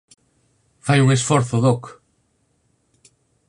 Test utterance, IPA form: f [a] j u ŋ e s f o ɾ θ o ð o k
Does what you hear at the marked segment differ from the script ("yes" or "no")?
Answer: no